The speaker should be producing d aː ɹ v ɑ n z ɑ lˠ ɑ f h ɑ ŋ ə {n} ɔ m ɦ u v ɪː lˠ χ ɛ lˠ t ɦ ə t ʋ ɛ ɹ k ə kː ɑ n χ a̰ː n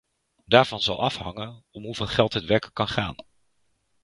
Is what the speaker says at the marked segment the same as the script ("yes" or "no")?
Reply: yes